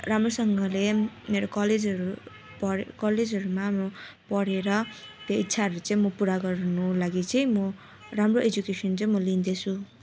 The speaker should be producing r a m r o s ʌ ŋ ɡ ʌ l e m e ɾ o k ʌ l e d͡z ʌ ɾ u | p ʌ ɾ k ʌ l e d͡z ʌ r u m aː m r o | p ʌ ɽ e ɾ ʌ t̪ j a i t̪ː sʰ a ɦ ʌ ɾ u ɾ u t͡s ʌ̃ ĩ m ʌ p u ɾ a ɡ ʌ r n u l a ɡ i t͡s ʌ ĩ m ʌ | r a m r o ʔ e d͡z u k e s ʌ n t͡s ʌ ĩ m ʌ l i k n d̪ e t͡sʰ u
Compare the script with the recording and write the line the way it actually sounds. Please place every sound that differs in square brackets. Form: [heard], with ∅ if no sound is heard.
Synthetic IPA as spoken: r a m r o s ʌ ŋ ɡ ʌ l e m e ɾ o k ʌ l e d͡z ʌ ɾ u | p ʌ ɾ k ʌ l e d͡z ʌ [ɾ] u m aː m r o | p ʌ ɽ e ɾ ʌ t̪ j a i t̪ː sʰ a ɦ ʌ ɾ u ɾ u t͡s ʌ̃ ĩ m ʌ p u ɾ a ɡ ʌ r n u l a ɡ i t͡s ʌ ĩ m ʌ | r a m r o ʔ e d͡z u k e s ʌ n t͡s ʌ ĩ m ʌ l i [∅] n d̪ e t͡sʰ u